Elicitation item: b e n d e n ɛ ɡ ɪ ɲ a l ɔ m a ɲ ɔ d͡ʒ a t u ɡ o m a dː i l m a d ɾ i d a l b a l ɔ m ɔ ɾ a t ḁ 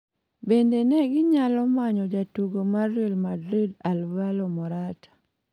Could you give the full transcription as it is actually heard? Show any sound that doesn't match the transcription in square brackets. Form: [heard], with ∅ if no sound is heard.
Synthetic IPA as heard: b e n d e n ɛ ɡ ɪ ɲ a l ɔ m a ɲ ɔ d͡ʒ a t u ɡ o m a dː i l m a d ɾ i d a l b a l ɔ m ɔ ɾ a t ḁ